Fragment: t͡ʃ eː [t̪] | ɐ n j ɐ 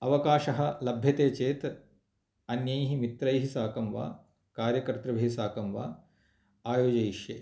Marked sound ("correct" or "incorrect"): correct